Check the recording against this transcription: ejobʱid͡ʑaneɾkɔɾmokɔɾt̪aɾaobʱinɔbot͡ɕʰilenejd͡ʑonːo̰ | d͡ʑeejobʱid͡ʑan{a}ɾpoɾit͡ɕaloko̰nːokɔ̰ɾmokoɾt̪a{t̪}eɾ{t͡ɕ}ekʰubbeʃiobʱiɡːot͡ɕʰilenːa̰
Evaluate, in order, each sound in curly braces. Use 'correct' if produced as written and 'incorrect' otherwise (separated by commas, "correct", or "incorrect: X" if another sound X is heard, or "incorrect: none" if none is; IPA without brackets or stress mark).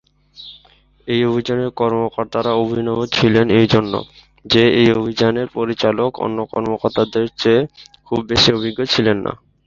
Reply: incorrect: e, incorrect: d̪, correct